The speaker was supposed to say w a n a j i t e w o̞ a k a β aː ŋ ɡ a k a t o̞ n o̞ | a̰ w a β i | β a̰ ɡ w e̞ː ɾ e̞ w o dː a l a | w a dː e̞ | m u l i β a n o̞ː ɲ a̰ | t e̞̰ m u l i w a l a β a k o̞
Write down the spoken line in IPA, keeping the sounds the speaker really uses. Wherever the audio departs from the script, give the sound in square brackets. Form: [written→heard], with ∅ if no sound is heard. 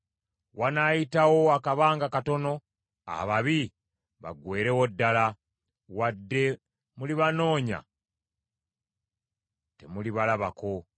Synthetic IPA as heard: w a n a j i t [e→a] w o̞ a k a β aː ŋ ɡ a k a t o̞ n o̞ | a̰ [w→β] a β i | β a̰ ɡ w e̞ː ɾ e̞ w o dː a l a | w a dː e̞ | m u l i β a n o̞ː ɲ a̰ | t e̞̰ m u l i [w→β] a l a β a k o̞

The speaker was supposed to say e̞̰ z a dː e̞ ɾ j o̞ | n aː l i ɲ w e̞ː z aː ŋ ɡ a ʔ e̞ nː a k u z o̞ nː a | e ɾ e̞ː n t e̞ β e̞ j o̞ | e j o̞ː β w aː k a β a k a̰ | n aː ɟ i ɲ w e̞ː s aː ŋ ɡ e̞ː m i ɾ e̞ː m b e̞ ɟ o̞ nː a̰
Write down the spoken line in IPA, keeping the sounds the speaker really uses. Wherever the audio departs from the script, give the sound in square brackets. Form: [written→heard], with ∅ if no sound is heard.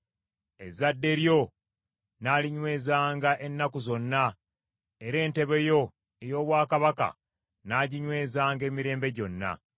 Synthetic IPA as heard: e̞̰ z a dː e̞ ɾ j o̞ | n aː l i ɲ w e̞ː z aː ŋ ɡ a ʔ e̞ nː a k u z o̞ nː a | e ɾ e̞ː n t e̞ β e̞ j o̞ | e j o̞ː β w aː k a β a k a̰ | n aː ɟ i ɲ w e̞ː [s→z] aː ŋ ɡ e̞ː m i ɾ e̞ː m b e̞ ɟ o̞ nː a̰

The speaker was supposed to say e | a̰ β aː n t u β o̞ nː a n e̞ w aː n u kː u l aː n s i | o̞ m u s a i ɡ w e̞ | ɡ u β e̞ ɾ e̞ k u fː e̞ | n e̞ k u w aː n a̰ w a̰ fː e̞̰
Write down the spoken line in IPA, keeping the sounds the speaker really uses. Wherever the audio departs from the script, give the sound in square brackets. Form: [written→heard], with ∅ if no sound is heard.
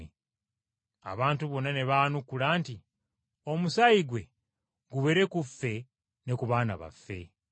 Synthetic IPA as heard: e | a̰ β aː n t u β o̞ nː a n e̞ [w→β] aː n u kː u l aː n [s→t] i | o̞ m u s a i ɡ w e̞ | ɡ u β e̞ ɾ e̞ k u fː e̞ | n e̞ k u [w→β] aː n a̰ [w→β] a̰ fː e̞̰

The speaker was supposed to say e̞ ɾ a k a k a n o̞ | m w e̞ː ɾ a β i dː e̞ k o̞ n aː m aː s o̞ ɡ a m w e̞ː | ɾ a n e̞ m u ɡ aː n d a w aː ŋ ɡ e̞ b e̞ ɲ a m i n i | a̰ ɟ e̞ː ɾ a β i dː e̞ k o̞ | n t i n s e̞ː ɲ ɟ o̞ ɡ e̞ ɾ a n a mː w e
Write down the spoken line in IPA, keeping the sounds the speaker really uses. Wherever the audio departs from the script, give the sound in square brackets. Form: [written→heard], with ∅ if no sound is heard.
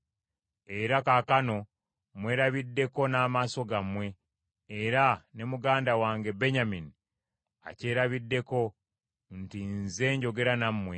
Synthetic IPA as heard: e̞ ɾ a k a k a n o̞ | m w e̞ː ɾ a β i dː e̞ k o̞ n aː m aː s o̞ ɡ a m w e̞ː | ɾ a n e̞ m u ɡ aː n d a w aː ŋ ɡ e̞ b e̞ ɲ a m i n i | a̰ [ɟ→c] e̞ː ɾ a β i dː e̞ k o̞ | n t i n [s→z] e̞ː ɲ ɟ o̞ ɡ e̞ ɾ a n a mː w e

